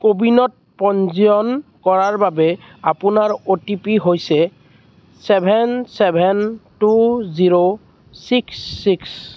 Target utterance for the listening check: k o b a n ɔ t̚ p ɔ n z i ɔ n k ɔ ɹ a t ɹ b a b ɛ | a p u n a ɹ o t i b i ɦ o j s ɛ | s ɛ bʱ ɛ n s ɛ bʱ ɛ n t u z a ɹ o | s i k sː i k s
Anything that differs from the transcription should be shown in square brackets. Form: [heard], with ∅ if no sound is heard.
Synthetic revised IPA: k o b [i] n ɔ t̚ p ɔ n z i ɔ n k ɔ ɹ a [∅] ɹ b a b ɛ | a p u n a ɹ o t i [p] i ɦ o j s ɛ | s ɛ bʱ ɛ n s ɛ bʱ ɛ n t u z [i] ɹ o | s i k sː i k s